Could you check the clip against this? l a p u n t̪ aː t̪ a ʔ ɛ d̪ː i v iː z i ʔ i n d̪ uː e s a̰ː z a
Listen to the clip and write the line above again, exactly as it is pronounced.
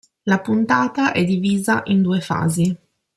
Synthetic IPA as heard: l a p u n t̪ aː t̪ a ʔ ɛ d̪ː i v iː z a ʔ i n d̪ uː e f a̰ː z i